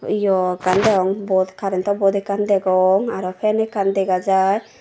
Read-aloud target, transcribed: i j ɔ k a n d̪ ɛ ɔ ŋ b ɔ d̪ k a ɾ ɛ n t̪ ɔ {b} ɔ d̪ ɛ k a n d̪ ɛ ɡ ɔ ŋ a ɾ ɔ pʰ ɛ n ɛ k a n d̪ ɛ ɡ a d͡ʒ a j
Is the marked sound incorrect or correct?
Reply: correct